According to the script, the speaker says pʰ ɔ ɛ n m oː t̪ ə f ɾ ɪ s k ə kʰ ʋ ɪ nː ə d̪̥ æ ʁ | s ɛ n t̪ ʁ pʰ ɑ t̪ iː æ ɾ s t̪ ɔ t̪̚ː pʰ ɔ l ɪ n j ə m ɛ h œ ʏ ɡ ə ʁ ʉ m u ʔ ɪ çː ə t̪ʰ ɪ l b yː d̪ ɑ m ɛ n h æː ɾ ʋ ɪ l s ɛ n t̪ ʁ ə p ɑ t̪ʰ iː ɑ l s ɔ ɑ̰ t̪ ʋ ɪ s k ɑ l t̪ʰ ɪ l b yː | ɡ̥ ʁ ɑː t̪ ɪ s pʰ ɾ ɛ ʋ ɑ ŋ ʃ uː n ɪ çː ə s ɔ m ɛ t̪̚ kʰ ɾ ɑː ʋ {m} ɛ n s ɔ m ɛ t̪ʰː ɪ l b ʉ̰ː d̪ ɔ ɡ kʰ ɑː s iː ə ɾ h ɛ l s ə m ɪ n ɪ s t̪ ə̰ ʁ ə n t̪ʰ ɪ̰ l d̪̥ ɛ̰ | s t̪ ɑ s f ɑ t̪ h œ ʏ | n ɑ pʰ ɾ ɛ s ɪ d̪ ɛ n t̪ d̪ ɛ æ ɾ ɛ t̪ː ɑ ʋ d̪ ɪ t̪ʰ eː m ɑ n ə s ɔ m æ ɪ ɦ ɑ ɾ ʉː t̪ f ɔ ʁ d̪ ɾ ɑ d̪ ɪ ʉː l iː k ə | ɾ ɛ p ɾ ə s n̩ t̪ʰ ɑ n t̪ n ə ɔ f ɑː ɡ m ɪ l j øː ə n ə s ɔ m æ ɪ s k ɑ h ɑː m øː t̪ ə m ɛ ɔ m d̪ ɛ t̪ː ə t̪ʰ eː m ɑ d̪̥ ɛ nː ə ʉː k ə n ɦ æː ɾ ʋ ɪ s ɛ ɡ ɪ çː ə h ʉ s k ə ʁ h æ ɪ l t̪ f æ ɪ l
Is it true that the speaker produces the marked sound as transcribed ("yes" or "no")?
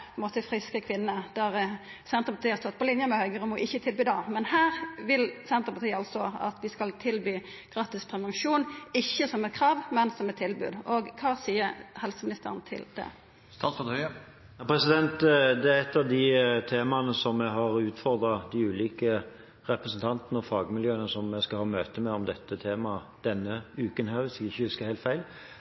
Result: yes